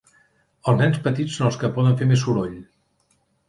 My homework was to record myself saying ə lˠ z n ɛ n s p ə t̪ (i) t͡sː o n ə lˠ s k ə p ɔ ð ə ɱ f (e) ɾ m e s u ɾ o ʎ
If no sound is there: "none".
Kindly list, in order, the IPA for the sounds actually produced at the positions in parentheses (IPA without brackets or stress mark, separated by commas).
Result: i, e